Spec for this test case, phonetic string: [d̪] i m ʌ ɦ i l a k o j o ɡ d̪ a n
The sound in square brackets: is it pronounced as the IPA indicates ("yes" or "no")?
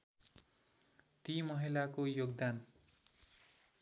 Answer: no